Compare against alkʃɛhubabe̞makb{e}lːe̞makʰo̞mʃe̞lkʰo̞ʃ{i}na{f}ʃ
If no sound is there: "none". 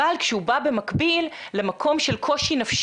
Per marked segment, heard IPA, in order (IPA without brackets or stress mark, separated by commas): i, i, f